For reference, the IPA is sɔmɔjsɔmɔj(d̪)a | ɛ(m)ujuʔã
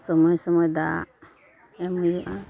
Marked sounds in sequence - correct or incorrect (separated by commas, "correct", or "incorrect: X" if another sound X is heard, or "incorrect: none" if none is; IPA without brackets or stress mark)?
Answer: correct, correct